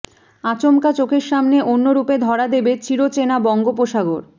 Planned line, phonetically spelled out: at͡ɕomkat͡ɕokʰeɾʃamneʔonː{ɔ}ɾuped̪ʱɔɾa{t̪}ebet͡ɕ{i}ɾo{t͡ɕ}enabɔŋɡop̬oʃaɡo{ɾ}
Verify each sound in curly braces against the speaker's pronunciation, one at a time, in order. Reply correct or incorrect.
incorrect, incorrect, correct, correct, correct

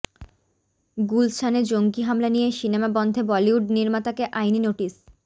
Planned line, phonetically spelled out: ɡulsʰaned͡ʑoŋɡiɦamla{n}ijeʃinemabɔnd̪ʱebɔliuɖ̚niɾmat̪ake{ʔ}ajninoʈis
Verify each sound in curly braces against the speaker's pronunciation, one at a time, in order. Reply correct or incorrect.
correct, correct

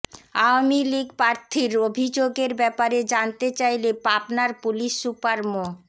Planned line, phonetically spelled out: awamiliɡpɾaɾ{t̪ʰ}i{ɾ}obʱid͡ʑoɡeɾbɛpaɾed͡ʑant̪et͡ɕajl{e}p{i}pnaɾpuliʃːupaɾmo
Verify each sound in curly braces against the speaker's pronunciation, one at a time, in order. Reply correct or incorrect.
correct, correct, correct, incorrect

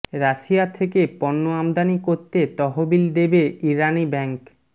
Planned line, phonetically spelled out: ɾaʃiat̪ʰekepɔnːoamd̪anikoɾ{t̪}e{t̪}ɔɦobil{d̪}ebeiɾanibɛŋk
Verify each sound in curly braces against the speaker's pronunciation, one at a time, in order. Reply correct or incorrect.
correct, correct, correct

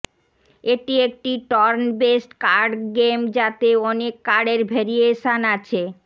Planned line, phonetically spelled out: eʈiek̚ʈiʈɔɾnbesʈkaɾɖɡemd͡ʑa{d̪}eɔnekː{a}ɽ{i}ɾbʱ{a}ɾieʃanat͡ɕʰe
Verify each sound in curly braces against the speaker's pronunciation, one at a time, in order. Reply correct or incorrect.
incorrect, correct, incorrect, incorrect

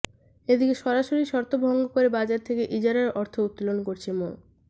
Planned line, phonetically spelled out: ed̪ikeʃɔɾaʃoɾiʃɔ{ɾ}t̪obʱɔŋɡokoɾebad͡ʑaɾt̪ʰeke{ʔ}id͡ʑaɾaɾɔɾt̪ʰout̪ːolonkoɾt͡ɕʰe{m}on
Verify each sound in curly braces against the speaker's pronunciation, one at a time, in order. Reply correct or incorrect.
correct, correct, correct

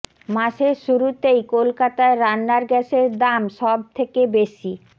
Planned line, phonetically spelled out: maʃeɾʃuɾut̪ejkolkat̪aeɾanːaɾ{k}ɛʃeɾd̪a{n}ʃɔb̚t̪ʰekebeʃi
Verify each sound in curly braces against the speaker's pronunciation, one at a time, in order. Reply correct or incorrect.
incorrect, incorrect

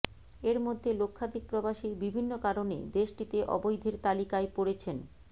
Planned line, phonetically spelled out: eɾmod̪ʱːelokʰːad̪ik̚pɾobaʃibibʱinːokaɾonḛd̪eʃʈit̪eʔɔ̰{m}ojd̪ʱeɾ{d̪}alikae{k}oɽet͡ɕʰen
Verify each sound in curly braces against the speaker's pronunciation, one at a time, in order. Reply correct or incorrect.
incorrect, incorrect, incorrect

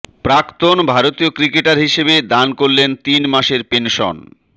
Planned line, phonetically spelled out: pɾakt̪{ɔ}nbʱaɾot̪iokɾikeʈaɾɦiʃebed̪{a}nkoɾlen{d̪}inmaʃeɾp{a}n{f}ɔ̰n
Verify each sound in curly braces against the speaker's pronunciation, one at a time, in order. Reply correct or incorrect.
incorrect, correct, incorrect, incorrect, incorrect

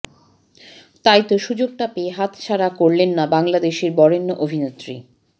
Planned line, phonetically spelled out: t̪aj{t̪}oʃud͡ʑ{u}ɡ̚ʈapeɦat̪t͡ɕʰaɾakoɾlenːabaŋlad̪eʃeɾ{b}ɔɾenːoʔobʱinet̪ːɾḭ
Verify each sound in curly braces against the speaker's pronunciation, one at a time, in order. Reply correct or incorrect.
correct, incorrect, correct

